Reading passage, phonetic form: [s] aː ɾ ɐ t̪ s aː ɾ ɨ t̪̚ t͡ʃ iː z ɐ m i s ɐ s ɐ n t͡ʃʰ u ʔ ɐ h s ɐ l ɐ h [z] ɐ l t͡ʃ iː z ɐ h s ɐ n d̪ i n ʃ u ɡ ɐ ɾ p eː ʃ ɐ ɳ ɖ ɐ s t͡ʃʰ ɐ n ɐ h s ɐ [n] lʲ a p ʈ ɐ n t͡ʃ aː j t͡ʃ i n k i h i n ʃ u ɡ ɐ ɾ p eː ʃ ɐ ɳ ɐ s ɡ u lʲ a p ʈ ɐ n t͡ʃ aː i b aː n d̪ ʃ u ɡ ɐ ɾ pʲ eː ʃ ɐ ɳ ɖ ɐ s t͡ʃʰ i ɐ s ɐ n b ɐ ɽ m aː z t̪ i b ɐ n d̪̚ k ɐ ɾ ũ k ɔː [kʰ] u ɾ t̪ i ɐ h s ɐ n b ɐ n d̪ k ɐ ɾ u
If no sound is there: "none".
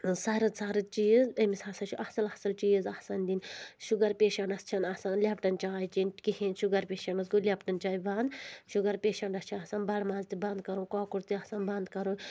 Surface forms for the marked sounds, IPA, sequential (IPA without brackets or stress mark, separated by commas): s, s, n, k